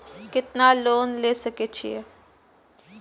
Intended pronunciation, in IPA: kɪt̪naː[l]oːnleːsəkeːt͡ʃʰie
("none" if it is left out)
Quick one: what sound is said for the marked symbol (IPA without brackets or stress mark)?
l